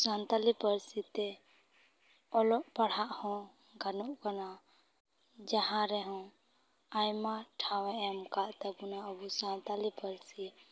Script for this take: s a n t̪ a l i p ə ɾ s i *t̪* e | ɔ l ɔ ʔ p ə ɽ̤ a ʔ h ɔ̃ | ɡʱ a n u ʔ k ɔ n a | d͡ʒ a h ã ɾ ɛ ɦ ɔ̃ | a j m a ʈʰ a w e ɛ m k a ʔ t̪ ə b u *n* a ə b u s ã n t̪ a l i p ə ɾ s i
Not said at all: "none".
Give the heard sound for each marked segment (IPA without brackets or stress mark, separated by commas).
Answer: t̪, n